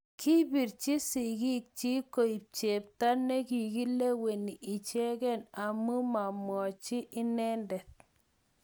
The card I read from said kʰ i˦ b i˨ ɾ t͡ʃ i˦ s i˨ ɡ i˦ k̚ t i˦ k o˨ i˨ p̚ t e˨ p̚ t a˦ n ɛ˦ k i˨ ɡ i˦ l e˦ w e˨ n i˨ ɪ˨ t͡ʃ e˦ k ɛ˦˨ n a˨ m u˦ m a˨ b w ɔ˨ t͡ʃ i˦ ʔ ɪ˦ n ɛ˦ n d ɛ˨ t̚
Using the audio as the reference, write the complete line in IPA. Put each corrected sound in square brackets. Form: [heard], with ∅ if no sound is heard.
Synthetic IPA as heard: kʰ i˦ b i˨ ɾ t͡ʃ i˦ s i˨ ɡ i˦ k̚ [t͡ʃ] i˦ k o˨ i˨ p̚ [t͡ʃ] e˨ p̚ t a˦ n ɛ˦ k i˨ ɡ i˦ l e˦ w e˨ n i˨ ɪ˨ t͡ʃ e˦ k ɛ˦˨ n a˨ m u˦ m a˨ [m] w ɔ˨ t͡ʃ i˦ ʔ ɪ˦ n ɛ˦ n d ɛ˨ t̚

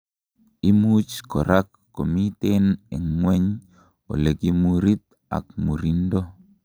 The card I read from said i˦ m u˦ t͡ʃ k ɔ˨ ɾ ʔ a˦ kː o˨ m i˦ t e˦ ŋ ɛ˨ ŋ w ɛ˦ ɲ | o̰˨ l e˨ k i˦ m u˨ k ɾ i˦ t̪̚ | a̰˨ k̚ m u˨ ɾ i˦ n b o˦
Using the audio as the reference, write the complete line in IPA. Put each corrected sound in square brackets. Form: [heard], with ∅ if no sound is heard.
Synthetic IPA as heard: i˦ m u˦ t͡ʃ k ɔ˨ ɾ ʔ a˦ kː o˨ m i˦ t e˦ [n] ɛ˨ ŋ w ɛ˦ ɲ | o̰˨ l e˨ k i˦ m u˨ [∅] ɾ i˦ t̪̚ | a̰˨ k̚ m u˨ ɾ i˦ n [d] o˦

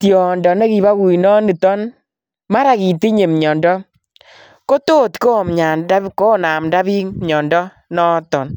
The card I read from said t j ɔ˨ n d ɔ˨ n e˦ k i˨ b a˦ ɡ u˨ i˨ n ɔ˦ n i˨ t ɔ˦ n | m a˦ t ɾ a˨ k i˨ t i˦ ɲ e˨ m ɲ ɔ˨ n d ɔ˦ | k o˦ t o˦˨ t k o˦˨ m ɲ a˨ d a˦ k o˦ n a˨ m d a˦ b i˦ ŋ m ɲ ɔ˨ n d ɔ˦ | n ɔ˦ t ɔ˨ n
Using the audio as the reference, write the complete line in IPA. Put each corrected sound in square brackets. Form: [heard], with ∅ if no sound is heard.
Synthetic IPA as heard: t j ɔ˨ n d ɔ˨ n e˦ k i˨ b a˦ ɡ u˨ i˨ n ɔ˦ n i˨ t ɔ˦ n | m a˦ [∅] ɾ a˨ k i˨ t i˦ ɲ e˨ m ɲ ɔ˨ n d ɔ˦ | k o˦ t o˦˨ t k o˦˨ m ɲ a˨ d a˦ k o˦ n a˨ m d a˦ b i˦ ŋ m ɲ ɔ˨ n d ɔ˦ | n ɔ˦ t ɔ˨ n

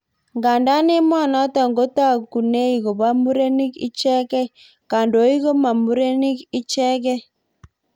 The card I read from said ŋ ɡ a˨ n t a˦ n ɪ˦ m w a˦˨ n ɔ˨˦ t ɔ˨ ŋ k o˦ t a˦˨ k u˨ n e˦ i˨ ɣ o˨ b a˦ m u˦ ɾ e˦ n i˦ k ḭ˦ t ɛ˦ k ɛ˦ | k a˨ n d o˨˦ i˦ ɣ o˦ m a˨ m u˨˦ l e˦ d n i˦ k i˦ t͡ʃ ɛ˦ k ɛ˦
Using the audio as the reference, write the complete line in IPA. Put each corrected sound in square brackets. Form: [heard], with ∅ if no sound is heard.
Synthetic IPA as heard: ŋ ɡ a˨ n [d] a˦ n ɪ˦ m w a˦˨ n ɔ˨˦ t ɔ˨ ŋ [ɡ] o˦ t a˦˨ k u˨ n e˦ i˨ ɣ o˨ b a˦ m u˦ ɾ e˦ n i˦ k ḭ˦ [t͡ʃ] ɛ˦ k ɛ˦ | k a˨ n d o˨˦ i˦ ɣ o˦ m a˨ m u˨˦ [ɾ] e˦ [∅] n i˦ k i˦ t͡ʃ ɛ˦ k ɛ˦

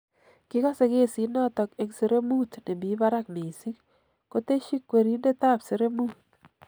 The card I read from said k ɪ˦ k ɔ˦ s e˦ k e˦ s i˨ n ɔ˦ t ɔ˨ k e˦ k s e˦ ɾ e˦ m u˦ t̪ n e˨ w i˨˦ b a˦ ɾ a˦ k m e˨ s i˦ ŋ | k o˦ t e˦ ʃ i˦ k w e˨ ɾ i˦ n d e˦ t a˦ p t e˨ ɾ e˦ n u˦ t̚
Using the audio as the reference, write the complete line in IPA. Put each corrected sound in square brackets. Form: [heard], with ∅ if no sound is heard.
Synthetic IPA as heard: k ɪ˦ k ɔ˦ s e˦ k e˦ s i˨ n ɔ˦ t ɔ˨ k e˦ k s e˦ ɾ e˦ m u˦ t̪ n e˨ [b] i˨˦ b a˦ ɾ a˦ k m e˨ s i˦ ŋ | k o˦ t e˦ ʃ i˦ k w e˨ ɾ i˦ n d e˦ t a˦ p [s] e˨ ɾ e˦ [m] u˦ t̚

